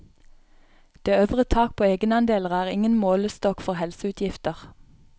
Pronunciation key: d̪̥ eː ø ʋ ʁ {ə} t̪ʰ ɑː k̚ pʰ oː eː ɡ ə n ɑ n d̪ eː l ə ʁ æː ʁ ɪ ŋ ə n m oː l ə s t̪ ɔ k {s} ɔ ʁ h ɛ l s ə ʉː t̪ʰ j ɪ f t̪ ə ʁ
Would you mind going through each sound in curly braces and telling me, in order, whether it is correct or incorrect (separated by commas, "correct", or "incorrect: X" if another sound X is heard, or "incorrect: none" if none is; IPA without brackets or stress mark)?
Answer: correct, incorrect: f